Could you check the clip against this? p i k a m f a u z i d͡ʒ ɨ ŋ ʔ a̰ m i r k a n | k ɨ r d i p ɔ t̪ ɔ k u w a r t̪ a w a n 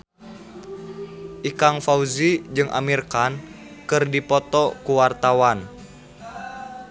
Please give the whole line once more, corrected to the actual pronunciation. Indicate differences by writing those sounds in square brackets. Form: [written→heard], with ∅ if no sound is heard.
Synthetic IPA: [p→ʔ] i k a [m→ŋ] f a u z i d͡ʒ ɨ ŋ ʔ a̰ m i r k a n | k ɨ r d i p ɔ t̪ ɔ k u w a r t̪ a w a n